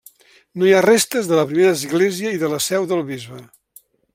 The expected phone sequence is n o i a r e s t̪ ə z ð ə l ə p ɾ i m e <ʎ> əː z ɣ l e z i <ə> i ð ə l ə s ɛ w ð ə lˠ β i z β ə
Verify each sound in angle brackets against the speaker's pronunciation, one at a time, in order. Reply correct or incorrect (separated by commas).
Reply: incorrect, correct